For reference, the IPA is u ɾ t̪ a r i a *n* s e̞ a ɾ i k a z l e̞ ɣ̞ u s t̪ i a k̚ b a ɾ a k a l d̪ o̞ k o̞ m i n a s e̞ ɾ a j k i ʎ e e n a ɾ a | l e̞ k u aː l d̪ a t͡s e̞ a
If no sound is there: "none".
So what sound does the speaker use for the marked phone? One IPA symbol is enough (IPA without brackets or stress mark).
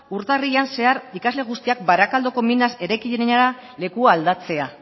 n